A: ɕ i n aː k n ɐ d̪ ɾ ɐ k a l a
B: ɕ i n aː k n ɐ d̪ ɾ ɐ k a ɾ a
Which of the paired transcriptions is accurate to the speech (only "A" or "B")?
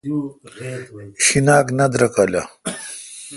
A